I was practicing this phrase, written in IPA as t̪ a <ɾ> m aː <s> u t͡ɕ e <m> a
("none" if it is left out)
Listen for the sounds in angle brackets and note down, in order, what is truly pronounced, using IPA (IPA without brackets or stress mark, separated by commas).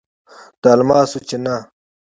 l, s, n